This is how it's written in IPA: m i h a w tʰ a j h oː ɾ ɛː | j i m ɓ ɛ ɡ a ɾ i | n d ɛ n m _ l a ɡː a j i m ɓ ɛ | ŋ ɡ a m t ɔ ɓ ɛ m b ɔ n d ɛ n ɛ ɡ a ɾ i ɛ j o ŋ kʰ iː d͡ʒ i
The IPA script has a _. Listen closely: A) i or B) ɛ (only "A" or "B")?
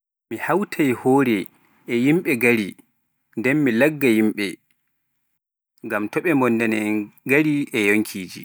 A